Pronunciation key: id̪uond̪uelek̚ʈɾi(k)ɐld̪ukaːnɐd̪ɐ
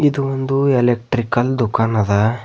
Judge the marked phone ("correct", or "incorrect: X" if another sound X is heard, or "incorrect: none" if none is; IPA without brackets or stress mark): correct